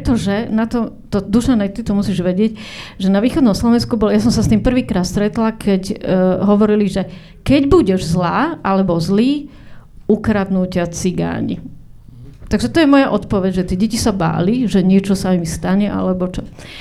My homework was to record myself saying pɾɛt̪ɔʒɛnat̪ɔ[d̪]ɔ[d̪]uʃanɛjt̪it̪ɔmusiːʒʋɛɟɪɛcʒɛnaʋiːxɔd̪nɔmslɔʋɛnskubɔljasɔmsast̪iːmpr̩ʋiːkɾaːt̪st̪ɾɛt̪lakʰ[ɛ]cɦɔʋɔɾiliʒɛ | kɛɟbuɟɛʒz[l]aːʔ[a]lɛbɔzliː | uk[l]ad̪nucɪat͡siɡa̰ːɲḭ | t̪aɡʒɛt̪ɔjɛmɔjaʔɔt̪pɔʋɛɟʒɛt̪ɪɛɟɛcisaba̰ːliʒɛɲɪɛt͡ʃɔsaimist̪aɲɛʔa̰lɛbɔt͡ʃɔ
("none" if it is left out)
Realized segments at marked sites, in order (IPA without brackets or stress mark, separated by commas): t̪, d̪, ɛ, l, a, ɾ